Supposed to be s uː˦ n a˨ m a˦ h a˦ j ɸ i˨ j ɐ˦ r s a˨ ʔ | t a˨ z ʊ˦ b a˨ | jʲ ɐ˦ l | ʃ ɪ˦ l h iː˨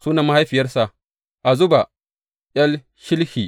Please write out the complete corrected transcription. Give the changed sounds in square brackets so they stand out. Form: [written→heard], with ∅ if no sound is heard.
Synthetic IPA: s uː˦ n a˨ m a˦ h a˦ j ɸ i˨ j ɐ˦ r s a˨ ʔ | [t→ʔ] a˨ z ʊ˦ b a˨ | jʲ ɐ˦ l | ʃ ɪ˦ l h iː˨

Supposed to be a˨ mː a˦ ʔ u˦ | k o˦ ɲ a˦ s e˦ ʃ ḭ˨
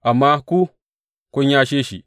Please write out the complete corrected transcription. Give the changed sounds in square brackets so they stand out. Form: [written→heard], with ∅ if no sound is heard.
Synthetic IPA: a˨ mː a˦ [ʔ→k] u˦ | k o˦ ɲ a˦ [s→ʃ] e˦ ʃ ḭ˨

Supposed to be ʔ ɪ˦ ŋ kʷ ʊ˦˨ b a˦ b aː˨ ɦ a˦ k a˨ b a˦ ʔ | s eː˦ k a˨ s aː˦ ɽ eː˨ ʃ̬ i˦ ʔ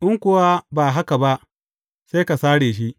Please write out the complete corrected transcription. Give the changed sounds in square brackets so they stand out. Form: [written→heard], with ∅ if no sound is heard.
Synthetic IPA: ʔ ɪ˦ ŋ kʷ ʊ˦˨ [b→w] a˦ b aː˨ ɦ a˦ k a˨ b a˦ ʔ | s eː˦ k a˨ s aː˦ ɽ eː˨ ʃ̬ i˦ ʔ

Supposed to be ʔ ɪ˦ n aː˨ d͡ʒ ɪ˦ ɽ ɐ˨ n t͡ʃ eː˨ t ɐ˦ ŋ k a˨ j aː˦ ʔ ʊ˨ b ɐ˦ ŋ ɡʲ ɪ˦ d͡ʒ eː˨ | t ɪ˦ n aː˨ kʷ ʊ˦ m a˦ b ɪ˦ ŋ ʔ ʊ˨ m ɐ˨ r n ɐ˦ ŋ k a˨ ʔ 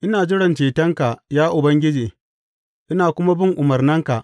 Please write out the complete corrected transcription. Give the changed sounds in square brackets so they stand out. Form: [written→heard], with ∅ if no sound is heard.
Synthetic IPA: ʔ ɪ˦ n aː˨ d͡ʒ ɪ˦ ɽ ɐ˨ n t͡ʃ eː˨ t ɐ˦ ŋ k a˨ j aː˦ ʔ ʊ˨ b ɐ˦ ŋ ɡʲ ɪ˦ d͡ʒ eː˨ | [t→ʔ] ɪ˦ n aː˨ kʷ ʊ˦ m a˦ b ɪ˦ ŋ ʔ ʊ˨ m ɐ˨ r n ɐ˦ ŋ k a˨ ʔ

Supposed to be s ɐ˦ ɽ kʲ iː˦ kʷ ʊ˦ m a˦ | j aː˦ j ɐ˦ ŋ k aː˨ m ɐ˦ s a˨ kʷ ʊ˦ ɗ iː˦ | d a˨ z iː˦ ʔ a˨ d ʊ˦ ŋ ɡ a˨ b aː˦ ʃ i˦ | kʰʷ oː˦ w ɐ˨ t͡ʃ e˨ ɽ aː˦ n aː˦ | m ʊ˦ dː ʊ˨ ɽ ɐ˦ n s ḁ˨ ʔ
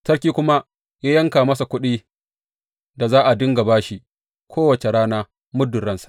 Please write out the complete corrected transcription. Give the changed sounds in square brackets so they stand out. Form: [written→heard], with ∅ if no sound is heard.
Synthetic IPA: [s→t] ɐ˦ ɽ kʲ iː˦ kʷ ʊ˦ m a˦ | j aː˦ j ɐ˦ ŋ k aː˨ m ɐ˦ s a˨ kʷ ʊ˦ ɗ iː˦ | d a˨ z [iː˦→aː˦] ʔ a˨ d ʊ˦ ŋ ɡ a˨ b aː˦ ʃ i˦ | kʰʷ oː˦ w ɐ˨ t͡ʃ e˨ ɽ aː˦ n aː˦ | m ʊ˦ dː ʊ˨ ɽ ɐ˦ n s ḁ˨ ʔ

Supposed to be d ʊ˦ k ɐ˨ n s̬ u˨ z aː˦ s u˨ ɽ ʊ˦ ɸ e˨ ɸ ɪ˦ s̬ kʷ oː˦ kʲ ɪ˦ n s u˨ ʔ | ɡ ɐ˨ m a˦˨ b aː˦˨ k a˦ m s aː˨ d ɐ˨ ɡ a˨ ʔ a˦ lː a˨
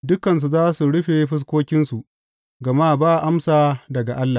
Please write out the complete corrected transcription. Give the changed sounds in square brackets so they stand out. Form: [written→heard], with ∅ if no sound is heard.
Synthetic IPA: d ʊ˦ k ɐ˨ n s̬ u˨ z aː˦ s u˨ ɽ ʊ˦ ɸ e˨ ɸ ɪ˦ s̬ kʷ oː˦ kʲ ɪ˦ n s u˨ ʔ | ɡ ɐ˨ m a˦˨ b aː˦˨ [k→ʔ] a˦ m s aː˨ d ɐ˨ ɡ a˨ ʔ a˦ lː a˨

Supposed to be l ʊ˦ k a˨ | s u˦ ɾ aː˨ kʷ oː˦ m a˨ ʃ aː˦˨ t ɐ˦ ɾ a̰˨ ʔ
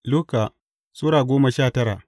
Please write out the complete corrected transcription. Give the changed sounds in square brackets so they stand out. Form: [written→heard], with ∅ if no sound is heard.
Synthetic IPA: l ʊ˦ k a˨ | s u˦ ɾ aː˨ [kʷ→ɡʷ] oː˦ m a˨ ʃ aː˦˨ t ɐ˦ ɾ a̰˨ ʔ

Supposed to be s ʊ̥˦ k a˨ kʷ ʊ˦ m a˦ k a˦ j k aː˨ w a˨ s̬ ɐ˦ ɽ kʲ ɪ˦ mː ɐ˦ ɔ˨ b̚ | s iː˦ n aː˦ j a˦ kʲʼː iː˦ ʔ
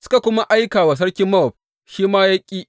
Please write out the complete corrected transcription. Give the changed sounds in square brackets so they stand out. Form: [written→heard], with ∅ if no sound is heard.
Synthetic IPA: s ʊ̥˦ k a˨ kʷ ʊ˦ m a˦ [k→ʔ] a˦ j k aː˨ w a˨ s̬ ɐ˦ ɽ kʲ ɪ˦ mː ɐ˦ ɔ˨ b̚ | [s→ʃ] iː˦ [n→m] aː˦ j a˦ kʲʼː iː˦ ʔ

